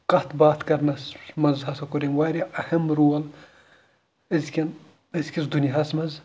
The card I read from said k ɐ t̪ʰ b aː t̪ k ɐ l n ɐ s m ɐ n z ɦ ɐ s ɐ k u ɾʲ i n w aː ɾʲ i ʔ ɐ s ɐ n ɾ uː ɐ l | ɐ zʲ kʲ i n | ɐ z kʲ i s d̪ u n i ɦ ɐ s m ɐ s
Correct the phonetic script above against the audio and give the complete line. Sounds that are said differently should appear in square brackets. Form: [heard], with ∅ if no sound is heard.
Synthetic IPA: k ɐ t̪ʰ b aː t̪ k ɐ [ɾ] n ɐ s m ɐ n z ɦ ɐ s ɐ k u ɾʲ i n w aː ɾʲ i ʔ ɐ [h] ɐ [m] ɾ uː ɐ l | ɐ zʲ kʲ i n | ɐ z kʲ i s d̪ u n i ɦ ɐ s m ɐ [z]